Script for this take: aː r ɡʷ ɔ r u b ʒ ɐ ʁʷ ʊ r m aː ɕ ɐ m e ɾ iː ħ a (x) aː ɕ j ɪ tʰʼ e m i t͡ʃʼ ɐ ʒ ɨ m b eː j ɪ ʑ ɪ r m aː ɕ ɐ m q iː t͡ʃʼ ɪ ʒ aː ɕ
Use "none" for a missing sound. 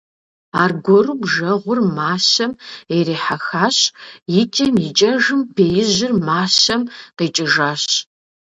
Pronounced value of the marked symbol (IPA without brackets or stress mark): x